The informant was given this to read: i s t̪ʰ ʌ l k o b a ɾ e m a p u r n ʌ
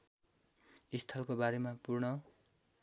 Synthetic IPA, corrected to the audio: i s t̪ʰ ʌ l k o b a ɾ e m a p u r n ʌ